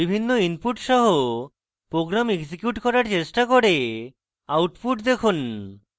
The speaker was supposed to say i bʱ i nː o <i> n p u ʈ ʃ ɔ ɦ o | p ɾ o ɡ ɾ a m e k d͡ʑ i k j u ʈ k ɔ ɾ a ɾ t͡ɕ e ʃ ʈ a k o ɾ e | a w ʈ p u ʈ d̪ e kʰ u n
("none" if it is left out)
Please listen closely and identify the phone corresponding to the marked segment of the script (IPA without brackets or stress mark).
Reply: i